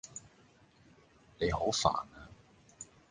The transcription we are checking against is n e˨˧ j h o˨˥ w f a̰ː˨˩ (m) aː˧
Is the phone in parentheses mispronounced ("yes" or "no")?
yes